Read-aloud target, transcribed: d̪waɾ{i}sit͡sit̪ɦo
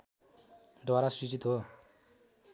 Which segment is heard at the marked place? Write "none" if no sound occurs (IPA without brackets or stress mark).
a